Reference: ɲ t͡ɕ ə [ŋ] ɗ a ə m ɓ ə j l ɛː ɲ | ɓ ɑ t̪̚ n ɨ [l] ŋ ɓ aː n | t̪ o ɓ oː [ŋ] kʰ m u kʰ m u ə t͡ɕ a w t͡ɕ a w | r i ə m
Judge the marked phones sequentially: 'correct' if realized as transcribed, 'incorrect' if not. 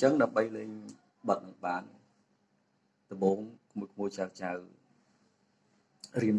correct, incorrect: none, correct

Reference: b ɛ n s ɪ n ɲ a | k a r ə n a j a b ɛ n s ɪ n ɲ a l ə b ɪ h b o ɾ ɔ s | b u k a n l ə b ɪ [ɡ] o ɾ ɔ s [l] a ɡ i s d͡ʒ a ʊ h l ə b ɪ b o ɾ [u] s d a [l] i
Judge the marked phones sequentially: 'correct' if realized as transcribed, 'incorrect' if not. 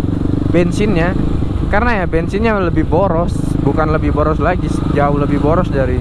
incorrect: b, correct, incorrect: ɔ, incorrect: ɾ

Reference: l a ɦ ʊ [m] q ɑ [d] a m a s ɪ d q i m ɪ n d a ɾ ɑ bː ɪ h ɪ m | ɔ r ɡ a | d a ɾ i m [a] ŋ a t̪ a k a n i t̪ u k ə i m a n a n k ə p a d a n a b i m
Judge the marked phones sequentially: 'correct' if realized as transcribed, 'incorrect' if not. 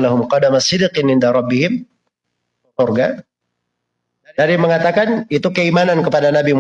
correct, correct, incorrect: ə

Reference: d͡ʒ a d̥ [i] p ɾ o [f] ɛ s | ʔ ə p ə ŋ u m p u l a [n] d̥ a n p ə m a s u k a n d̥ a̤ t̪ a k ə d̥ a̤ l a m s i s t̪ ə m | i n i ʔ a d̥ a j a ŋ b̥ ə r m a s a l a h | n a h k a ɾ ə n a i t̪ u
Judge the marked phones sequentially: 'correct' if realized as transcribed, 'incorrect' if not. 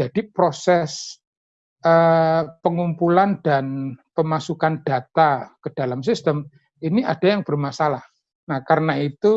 correct, incorrect: s, correct

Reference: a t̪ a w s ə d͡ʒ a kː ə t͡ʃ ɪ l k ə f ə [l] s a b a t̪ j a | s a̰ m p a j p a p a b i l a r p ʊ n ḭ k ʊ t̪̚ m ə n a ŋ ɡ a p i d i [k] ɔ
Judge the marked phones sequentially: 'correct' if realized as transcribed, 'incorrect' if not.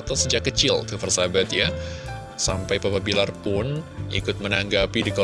incorrect: r, correct

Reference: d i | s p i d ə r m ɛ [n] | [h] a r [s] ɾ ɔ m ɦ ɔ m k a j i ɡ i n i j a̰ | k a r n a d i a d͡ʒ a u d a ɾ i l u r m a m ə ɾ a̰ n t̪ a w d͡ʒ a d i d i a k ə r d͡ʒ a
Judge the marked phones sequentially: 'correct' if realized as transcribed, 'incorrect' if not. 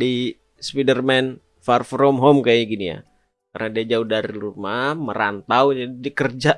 correct, incorrect: f, incorrect: f

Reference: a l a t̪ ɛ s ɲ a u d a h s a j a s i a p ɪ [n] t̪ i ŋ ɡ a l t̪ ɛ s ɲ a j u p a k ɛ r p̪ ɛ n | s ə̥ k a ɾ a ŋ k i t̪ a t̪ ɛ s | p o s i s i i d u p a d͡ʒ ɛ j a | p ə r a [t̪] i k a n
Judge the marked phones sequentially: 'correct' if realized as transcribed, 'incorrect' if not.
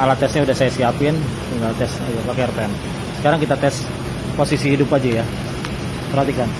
correct, correct

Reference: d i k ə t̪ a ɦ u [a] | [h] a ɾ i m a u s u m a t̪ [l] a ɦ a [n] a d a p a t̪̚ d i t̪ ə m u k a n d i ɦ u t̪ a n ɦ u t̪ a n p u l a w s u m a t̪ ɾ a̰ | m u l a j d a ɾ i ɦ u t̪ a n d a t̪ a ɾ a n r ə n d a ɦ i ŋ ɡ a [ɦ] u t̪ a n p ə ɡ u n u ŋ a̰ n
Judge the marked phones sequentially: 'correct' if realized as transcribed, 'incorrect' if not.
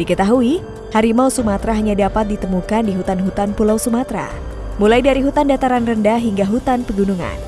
incorrect: i, correct, incorrect: ɾ, incorrect: ɲ, correct

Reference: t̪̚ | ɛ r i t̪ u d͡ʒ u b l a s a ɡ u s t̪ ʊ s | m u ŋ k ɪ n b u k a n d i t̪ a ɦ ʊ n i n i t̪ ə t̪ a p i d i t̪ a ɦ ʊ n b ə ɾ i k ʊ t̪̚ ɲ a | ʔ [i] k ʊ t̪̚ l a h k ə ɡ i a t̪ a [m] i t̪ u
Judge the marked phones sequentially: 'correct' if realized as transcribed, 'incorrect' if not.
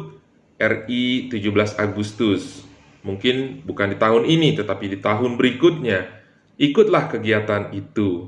correct, incorrect: n

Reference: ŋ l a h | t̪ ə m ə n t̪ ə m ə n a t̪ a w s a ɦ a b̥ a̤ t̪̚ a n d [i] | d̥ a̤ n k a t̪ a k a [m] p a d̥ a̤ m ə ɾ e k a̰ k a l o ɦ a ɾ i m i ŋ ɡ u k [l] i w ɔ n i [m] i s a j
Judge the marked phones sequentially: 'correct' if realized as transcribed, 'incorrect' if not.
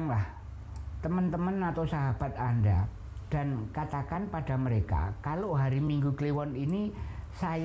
incorrect: a, incorrect: n, correct, incorrect: n

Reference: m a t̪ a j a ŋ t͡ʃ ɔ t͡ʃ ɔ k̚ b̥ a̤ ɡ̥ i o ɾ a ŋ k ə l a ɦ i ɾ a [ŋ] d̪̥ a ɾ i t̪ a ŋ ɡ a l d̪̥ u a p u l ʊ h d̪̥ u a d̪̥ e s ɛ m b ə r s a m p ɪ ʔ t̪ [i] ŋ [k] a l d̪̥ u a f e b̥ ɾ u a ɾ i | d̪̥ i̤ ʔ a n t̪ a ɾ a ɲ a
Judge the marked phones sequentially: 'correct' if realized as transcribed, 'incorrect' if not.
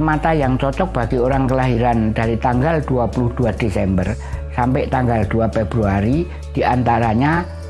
incorrect: n, incorrect: a, incorrect: ɡ

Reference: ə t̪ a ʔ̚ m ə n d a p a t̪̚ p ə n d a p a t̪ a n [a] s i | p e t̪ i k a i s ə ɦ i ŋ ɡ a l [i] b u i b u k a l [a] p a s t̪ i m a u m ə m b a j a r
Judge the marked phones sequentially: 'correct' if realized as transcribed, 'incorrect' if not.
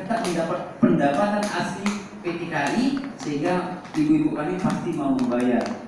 correct, correct, incorrect: i

